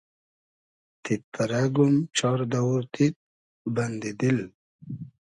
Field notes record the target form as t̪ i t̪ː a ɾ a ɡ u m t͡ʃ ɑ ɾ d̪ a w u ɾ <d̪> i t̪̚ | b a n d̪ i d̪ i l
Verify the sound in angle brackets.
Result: incorrect: t̪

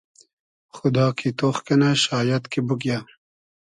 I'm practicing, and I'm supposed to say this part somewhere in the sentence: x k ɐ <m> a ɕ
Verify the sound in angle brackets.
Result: incorrect: n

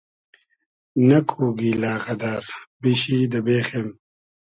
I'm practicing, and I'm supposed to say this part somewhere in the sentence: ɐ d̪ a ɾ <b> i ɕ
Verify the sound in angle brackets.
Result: correct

